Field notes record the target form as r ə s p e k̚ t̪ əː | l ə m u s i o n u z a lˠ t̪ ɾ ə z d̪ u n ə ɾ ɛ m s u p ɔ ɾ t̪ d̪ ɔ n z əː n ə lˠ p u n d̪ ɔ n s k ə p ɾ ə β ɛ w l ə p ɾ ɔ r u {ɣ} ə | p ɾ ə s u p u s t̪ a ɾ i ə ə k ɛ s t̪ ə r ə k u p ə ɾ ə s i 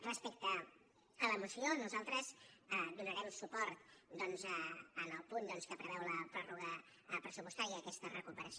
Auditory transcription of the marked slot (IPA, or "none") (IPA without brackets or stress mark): ɣ